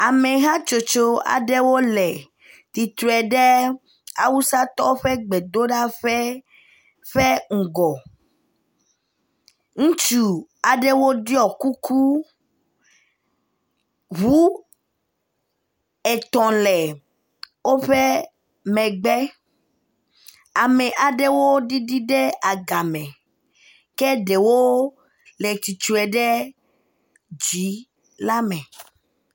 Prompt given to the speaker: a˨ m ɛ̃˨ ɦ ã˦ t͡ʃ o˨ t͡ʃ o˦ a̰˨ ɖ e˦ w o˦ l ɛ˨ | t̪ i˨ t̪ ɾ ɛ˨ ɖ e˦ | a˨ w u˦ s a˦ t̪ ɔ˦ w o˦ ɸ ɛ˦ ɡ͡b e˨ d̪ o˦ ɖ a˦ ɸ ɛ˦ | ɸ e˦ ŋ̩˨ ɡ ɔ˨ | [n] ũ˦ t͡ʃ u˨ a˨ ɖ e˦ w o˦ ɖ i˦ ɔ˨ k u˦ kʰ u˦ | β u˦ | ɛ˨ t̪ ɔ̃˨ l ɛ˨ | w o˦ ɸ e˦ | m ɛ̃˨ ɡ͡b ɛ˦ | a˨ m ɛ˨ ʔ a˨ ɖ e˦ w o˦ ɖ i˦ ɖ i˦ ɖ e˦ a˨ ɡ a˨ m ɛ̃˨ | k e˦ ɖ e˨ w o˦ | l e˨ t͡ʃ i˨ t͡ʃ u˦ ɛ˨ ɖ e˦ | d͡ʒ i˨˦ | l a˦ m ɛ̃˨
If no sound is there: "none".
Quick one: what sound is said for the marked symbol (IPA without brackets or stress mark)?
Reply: ŋ